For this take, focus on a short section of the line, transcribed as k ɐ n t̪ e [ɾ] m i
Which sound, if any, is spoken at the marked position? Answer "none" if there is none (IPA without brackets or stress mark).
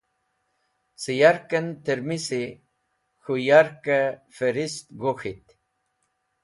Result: ɾ